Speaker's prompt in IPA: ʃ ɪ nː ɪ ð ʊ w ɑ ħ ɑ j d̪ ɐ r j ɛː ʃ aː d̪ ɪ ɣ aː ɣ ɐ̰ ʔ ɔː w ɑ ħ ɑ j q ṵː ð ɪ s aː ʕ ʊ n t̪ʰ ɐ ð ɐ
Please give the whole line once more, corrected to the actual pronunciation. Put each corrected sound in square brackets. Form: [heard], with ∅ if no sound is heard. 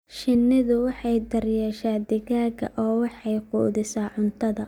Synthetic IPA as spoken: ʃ ɪ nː ɪ ð ʊ w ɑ ħ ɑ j d̪ ɐ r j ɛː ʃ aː d̪ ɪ ɣ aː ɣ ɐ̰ ʔ ɔː w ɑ ħ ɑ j q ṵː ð ɪ s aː ʕ ʊ n t̪ʰ ɐ ð ɐ